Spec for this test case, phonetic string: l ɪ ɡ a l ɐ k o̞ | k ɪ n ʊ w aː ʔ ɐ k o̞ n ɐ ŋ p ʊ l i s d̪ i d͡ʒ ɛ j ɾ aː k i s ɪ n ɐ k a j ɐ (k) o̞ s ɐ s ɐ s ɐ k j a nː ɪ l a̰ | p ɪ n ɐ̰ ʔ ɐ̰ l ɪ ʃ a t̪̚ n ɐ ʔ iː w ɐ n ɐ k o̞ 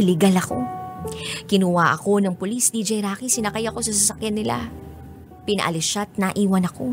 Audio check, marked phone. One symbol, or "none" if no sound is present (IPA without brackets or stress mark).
k